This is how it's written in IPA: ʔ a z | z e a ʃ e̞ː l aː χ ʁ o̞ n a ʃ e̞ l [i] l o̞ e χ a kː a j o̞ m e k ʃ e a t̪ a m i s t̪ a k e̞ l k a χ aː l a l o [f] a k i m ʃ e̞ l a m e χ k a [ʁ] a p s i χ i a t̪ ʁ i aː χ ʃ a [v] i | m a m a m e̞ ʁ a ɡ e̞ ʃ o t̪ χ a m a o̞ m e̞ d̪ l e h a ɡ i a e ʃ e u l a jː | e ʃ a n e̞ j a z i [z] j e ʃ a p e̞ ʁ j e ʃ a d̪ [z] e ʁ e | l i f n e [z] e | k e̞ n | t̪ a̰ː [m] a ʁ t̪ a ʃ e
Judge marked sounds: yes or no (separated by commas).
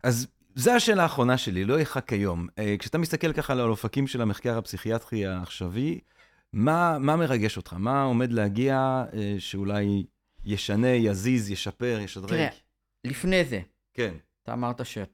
yes, yes, yes, yes, yes, no, yes, yes